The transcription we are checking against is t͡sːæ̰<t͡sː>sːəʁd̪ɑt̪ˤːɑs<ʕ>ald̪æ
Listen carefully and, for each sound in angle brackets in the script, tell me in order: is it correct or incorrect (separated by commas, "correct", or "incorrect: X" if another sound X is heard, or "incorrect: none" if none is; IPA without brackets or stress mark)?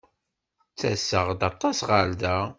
incorrect: none, incorrect: ʁ